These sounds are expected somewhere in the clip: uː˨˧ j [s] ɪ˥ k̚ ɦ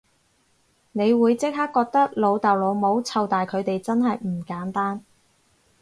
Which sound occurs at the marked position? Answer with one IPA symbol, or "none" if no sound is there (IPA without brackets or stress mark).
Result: t͡s